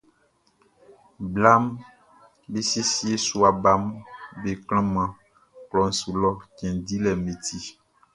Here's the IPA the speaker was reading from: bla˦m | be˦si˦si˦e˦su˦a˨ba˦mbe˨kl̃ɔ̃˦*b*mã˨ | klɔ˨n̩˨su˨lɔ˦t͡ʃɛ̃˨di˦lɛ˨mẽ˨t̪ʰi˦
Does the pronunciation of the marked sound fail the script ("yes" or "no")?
yes